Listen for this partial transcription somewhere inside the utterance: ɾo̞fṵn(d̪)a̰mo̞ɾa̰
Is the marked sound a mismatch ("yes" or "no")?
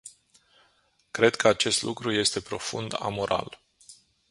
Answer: no